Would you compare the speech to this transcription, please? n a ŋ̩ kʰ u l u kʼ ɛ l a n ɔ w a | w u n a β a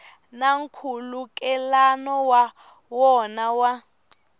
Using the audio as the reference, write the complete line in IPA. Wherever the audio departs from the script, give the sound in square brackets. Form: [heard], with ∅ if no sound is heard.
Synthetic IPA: n a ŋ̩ kʰ u l u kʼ ɛ l a n ɔ w a | w [ɔ] n a [w] a